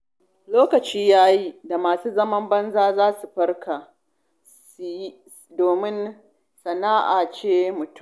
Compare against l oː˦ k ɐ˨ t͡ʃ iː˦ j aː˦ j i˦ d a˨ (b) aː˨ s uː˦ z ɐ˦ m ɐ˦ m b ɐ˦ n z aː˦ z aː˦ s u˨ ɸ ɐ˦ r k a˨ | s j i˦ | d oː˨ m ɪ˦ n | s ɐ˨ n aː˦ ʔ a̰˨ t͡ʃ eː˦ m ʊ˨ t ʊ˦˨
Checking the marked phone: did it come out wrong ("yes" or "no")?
yes